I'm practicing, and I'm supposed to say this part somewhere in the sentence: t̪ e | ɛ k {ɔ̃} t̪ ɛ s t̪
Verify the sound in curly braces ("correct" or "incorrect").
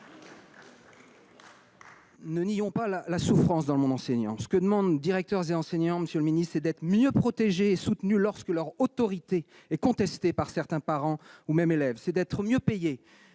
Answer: correct